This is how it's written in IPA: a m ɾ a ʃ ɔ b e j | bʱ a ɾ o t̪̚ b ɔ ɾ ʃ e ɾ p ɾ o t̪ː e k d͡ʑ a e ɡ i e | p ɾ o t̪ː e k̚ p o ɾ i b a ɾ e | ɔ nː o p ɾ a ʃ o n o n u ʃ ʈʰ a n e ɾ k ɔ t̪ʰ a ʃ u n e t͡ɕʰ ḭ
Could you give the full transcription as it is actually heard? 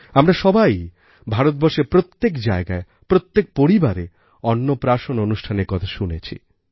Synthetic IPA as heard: a m ɾ a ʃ ɔ b a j | bʱ a ɾ o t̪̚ b ɔ ɾ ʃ e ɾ p ɾ o t̪ː e k d͡ʑ a e ɡ a e | p ɾ o t̪ː e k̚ p o ɾ i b a ɾ e | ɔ nː o p ɾ a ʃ o n o n u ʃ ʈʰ a n e ɾ k ɔ t̪ʰ a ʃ u n e t͡ɕʰ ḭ